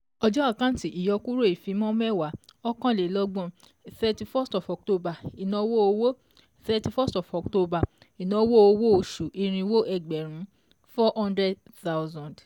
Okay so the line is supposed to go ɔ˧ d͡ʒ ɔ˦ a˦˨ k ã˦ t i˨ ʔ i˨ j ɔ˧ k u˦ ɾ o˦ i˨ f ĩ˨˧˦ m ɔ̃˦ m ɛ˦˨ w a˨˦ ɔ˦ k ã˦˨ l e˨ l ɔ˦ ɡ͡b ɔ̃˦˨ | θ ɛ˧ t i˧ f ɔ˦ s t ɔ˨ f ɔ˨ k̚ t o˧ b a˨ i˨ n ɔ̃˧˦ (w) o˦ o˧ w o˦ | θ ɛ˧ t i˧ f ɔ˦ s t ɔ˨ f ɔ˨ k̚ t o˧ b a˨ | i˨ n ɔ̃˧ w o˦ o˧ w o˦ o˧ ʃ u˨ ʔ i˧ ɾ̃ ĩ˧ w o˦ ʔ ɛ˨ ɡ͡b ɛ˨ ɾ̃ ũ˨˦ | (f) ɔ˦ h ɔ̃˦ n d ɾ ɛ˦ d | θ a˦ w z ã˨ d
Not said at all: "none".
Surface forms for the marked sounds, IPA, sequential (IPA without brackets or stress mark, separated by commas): w, f